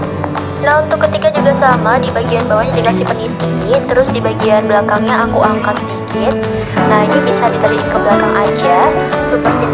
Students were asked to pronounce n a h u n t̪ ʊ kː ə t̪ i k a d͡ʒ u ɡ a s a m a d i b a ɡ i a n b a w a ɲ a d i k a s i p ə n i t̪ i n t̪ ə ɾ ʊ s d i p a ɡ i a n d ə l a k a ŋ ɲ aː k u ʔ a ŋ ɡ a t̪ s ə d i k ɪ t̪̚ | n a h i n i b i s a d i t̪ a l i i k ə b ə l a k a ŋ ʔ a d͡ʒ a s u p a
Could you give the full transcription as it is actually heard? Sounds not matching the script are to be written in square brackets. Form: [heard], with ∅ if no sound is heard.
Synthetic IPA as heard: n a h u n t̪ ʊ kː ə t̪ i k a d͡ʒ u ɡ a s a m a d i b a ɡ i a n b a w a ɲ a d i k a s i p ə n i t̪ i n t̪ ə ɾ ʊ s d i [b] a ɡ i a n [b] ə l a k a ŋ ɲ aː k u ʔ a ŋ [k] a t̪ s ə d i k ɪ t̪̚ | n a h i n i b i s a d i t̪ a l i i k ə b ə l a k a ŋ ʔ a d͡ʒ a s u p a